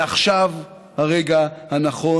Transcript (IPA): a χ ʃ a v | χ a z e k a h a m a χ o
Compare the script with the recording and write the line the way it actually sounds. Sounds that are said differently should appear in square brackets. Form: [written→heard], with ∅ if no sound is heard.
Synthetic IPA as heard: a χ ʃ a v | [χ→h] a [z→ʁ] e [k→ɡ] a h a [m→n] a χ o